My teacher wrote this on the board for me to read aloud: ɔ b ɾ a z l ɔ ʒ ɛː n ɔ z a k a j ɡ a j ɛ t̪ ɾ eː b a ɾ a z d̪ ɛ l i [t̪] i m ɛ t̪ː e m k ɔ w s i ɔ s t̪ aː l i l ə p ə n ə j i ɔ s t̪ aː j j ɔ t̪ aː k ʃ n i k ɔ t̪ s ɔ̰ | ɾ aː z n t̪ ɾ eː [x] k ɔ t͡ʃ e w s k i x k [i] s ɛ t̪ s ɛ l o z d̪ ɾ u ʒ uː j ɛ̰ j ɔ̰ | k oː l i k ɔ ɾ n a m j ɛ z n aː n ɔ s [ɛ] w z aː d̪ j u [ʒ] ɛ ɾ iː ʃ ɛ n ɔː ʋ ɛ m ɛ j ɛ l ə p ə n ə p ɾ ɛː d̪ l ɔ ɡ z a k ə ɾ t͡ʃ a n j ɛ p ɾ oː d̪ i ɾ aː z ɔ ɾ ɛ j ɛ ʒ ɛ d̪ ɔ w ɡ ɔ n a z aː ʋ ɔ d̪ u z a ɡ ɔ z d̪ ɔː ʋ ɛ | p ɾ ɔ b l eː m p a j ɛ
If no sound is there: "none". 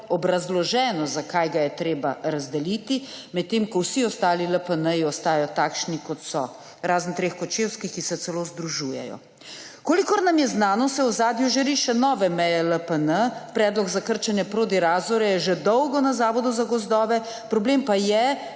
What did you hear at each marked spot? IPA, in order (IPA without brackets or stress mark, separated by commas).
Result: t̪, x, i, ɛ, ʒ